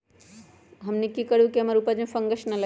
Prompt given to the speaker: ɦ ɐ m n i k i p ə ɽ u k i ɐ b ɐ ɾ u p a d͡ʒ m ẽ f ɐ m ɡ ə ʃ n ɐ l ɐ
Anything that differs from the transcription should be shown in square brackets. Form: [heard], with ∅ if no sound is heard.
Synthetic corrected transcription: ɦ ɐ m n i k i [k] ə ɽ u k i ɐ [m] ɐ ɾ u p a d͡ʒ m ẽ f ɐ [ŋ] ɡ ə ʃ n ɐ l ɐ